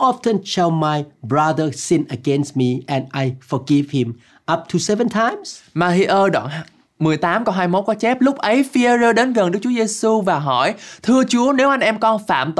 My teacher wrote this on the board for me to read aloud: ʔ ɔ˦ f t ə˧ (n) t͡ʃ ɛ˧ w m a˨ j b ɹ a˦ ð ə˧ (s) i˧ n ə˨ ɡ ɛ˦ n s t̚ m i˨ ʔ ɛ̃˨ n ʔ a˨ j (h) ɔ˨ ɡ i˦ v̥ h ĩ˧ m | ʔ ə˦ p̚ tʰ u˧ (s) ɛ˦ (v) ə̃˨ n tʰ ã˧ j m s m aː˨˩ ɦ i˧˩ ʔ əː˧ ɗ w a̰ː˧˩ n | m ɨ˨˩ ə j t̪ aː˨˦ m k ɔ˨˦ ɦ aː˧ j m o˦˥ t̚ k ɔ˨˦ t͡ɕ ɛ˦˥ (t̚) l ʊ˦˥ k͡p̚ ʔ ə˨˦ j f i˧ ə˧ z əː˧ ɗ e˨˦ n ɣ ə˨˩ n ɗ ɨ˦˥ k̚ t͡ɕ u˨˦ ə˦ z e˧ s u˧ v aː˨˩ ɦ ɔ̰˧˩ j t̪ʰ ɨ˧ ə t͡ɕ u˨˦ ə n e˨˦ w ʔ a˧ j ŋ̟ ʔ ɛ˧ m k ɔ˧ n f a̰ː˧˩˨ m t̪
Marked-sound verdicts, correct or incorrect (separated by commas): correct, correct, incorrect, correct, correct, incorrect